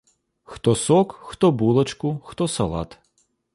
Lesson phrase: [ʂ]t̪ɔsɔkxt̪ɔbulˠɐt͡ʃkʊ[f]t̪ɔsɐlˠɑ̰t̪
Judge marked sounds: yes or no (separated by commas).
no, no